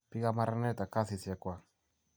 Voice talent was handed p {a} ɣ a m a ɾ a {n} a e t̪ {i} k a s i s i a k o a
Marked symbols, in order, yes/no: no, yes, no

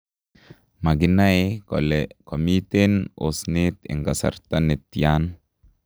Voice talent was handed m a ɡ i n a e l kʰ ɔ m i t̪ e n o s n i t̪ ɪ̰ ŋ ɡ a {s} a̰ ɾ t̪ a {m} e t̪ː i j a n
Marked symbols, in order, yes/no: yes, no

